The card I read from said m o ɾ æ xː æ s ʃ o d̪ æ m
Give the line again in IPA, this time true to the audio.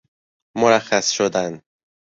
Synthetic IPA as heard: m o ɾ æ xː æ s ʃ o d̪ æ n